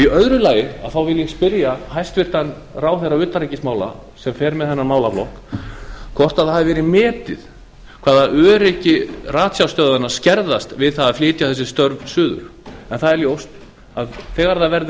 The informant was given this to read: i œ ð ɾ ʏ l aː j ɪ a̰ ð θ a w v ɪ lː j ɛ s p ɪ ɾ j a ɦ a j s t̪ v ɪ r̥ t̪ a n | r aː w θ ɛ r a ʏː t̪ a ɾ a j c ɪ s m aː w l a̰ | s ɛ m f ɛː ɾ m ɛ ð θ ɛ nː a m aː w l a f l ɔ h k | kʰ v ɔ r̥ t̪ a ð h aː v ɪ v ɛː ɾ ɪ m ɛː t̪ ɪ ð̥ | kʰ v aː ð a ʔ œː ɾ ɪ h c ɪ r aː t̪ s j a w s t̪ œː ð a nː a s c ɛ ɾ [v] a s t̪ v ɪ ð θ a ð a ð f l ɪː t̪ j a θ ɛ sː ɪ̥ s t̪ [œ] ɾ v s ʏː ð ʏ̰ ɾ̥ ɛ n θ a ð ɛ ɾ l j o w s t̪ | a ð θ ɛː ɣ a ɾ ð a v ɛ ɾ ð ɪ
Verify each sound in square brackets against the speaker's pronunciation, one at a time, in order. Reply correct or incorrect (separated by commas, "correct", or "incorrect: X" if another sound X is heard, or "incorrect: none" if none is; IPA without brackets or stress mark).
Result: incorrect: ð, correct